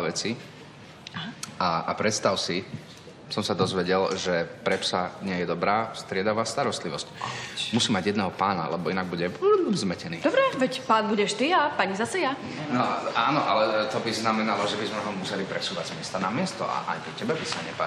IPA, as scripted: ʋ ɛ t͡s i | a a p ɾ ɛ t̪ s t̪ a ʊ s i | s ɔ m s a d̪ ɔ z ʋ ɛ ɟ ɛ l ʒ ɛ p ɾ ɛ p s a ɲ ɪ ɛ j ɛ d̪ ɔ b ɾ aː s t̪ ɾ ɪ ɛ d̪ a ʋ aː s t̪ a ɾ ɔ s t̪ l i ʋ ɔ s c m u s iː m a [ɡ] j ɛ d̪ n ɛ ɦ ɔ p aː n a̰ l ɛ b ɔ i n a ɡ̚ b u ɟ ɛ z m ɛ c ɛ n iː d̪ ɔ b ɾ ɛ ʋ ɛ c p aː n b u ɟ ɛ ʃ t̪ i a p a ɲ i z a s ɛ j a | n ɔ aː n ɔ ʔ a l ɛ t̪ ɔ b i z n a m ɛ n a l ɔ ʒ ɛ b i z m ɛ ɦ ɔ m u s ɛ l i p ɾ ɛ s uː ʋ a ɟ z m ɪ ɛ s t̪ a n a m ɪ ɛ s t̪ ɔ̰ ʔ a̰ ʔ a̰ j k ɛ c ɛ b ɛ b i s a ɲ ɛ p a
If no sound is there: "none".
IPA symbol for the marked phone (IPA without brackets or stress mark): ɟ